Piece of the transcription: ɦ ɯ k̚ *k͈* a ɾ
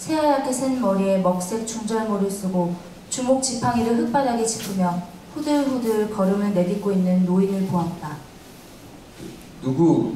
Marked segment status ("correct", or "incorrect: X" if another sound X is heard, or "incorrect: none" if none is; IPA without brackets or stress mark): incorrect: p͈